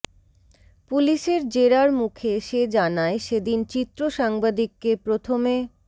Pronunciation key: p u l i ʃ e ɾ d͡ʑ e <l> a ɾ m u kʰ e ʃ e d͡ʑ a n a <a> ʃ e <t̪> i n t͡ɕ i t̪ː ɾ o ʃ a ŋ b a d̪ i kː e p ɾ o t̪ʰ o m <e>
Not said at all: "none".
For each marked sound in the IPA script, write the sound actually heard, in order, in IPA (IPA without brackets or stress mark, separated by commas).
ɾ, e, d̪, e